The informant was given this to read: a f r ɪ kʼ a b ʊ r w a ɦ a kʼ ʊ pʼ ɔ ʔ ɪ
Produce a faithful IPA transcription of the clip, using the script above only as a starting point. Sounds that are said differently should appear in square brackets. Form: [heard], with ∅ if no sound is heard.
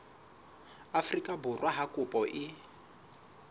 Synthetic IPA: a f r [i] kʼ a b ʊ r w a ɦ a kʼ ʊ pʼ ɔ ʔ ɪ